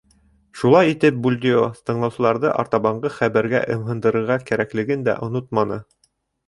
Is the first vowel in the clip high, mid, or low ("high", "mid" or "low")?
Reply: high